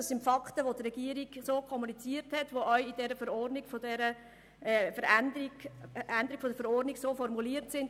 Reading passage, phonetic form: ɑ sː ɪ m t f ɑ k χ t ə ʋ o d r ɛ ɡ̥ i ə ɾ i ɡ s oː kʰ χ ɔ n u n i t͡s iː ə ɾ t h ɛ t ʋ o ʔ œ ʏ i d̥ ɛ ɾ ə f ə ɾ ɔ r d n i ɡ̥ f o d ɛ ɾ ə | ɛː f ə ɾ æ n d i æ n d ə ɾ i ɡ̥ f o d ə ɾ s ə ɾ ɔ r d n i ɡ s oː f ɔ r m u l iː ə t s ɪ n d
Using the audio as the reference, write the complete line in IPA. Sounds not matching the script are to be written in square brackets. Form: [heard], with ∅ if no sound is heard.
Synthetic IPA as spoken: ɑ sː ɪ [n] t f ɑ k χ t ə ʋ o d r ɛ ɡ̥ i ə ɾ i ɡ s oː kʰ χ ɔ [m] u n i t͡s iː ə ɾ t h ɛ t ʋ o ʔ œ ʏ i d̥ ɛ ɾ ə f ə ɾ ɔ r d n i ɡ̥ f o d ɛ ɾ ə | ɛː f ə ɾ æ n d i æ n d ə ɾ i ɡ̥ f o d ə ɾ [f] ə ɾ ɔ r d n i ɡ s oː f ɔ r m u l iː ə t s ɪ n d